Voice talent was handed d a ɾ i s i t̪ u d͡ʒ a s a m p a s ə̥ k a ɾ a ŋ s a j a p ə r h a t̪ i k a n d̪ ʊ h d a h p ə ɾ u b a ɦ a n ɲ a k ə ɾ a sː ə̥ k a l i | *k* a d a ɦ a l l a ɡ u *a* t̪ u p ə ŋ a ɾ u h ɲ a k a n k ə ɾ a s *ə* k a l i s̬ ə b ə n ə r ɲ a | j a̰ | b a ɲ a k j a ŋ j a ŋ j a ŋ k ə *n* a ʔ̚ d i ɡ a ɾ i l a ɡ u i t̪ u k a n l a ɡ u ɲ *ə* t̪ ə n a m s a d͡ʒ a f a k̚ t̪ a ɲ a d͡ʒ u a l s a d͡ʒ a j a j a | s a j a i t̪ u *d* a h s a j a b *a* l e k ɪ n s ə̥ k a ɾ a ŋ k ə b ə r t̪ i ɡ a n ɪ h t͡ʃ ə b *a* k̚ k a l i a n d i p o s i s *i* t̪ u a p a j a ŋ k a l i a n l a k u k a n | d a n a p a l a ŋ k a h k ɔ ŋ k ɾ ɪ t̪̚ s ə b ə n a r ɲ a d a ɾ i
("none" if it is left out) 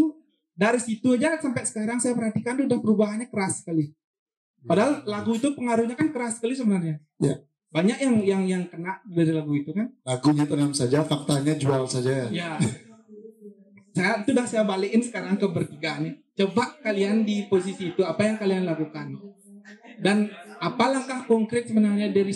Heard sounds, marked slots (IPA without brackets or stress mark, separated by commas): p, i, ə, n, a, d, a, a, iː